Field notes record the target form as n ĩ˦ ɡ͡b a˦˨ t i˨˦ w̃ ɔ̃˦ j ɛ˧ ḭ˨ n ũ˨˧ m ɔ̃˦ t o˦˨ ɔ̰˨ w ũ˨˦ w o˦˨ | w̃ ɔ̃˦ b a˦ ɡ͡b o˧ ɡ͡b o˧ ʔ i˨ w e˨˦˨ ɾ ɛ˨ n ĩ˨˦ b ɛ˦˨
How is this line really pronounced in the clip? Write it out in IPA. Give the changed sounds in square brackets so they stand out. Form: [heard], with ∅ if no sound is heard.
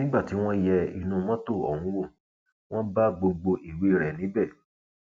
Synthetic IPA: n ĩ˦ ɡ͡b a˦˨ t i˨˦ w̃ ɔ̃˦ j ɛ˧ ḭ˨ n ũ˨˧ m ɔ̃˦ t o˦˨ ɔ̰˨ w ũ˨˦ w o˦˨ | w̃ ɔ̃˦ b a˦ ɡ͡b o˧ ɡ͡b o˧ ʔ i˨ w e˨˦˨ ɾ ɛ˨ n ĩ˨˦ b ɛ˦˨